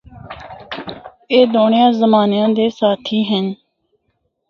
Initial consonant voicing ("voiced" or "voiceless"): voiced